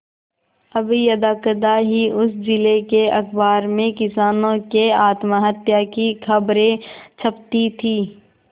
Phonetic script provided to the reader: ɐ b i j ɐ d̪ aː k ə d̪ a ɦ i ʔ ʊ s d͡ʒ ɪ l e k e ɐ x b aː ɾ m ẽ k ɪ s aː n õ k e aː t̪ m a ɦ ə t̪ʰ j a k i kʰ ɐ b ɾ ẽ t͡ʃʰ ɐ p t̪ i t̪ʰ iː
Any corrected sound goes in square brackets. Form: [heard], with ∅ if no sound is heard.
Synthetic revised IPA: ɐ b i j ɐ d̪ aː k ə d̪ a ɦ i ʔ ʊ s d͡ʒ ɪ l e k e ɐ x b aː ɾ m ẽ k ɪ s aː n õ k e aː t̪ m a ɦ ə [t̪] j a k i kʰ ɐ b ɾ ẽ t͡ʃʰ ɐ p t̪ i t̪ʰ iː